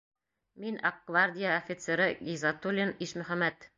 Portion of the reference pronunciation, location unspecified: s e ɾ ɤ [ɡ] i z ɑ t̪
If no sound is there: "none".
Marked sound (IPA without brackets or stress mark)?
ɡ